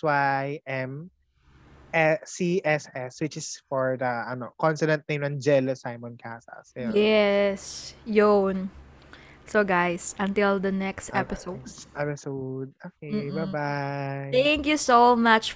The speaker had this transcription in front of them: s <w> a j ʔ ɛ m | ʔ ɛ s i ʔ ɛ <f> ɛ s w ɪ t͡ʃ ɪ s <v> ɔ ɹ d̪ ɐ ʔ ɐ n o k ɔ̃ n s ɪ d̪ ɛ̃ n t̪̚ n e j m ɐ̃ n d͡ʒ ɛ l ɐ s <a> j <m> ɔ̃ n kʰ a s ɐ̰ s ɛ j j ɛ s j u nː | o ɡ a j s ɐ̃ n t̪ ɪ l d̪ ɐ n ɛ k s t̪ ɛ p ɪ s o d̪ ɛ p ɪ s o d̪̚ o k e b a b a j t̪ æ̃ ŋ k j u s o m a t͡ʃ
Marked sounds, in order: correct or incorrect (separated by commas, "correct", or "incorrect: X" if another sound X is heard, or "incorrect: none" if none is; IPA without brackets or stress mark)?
correct, incorrect: s, incorrect: f, correct, correct